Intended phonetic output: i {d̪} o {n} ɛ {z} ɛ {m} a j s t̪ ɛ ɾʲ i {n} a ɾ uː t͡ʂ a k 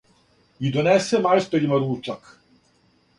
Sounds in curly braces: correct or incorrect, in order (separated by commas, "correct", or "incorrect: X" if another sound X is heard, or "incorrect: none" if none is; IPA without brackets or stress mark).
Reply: correct, correct, incorrect: s, correct, incorrect: m